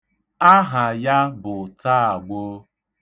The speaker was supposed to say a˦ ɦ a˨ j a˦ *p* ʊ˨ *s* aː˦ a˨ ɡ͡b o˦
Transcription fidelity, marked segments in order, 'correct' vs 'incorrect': incorrect: b, incorrect: t

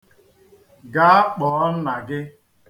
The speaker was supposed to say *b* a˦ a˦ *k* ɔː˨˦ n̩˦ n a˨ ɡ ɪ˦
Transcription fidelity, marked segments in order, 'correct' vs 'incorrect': incorrect: ɡ, incorrect: k͡p

